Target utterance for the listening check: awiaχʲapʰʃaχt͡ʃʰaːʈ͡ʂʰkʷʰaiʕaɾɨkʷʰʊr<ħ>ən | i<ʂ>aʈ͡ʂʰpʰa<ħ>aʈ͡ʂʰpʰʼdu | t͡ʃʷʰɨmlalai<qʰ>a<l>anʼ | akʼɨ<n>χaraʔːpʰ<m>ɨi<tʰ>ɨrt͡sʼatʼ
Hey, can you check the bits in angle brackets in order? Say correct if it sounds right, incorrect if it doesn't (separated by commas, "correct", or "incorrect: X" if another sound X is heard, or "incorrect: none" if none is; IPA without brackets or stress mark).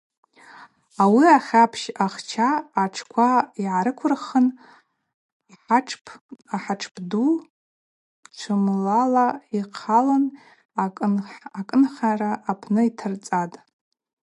incorrect: χ, incorrect: ħ, correct, correct, correct, correct, incorrect: n, correct